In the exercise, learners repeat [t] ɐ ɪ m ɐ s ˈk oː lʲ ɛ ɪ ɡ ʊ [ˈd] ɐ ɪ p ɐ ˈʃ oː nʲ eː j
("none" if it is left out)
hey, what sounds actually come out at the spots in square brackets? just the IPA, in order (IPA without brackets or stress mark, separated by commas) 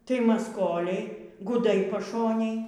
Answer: t, d